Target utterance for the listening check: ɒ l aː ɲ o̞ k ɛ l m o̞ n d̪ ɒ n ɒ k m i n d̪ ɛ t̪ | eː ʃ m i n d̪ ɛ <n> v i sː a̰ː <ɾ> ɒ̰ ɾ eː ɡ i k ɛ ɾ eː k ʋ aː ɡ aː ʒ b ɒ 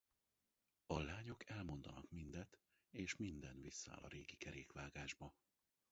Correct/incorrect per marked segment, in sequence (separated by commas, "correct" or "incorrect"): correct, incorrect